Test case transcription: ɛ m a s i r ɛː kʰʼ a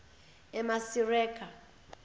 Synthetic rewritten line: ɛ m a s i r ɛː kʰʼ a